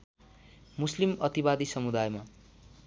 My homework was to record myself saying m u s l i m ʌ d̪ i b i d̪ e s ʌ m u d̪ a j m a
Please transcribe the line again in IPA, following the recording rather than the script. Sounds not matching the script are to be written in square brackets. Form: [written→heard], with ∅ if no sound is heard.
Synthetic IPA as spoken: m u s l i m ʌ [d̪→t̪] i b [i→a] d̪ [e→i] s ʌ m u d̪ a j m a